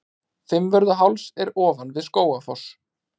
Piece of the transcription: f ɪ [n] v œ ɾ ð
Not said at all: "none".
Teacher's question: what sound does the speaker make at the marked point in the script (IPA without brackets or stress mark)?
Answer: m